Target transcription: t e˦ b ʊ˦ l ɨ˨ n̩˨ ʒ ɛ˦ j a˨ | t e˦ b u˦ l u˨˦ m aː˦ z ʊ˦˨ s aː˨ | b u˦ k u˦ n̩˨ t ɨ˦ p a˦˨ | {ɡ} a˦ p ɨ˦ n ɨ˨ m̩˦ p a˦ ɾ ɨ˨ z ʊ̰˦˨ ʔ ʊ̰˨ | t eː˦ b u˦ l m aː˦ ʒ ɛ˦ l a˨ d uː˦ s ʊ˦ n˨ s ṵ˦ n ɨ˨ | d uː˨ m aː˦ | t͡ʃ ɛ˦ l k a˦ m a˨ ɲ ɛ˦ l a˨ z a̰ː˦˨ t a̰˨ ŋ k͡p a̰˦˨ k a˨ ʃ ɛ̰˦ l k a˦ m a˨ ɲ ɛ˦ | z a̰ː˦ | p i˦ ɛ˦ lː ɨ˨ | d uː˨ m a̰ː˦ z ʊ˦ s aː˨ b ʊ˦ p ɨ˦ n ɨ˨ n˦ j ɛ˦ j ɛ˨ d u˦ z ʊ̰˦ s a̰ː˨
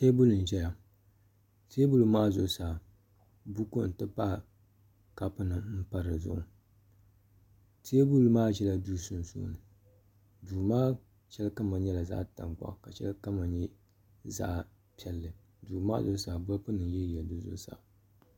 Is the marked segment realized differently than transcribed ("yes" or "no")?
yes